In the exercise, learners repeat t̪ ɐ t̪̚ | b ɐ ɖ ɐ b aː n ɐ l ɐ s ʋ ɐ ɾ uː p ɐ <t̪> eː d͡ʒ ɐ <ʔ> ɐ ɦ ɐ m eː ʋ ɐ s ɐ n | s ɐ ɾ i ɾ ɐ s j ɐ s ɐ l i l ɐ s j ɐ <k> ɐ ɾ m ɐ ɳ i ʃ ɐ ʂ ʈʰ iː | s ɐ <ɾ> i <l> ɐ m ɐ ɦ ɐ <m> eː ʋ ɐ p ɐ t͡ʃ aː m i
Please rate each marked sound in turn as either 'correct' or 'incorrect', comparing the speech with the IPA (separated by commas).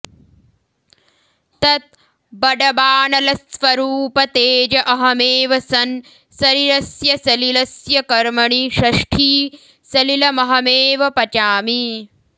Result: correct, correct, correct, incorrect, correct, correct